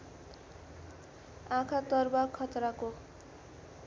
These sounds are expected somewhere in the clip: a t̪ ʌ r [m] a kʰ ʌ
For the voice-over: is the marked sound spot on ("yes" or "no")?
no